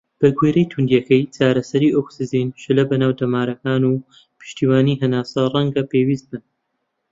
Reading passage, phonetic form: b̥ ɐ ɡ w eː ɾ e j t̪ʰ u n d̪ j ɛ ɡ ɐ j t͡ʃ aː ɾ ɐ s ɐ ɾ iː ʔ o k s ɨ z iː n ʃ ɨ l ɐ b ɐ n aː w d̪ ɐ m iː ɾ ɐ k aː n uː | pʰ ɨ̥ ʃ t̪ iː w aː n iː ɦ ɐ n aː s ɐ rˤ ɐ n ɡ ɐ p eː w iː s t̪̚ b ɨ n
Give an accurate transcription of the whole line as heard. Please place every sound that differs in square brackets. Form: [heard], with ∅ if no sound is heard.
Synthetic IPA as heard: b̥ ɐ ɡ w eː ɾ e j t̪ʰ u n d̪ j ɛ [k] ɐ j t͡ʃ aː ɾ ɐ s ɐ ɾ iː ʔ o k s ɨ z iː n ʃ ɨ l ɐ b ɐ n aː w d̪ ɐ m [aː] ɾ ɐ k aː n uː | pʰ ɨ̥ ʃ t̪ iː w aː n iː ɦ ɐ n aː s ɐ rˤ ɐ [ŋ] ɡ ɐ p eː w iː s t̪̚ b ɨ n